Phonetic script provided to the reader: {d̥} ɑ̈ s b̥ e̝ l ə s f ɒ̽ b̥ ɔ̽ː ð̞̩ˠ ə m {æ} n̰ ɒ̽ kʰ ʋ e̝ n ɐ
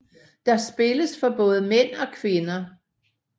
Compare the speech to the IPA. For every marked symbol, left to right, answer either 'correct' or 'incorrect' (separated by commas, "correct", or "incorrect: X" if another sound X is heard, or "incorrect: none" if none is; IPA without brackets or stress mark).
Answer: correct, incorrect: e